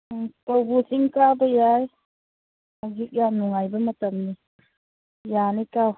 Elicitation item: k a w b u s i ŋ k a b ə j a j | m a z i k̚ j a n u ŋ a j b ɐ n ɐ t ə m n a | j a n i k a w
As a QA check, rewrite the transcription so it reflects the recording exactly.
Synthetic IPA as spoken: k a w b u s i ŋ k a b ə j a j | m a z i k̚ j a n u ŋ a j b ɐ m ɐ t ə m n i | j a n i k a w